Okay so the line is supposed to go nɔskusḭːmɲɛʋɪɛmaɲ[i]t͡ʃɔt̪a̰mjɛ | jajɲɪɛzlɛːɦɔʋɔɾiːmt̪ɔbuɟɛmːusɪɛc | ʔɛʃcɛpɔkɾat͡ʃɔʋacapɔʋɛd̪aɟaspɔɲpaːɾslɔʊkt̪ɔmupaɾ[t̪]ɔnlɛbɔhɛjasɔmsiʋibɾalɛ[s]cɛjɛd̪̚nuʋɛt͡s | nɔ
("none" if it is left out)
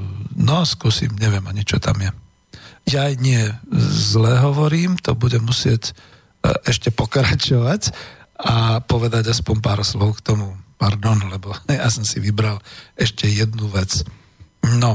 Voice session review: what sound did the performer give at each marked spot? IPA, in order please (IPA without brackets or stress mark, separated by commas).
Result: i, d̪, ʃ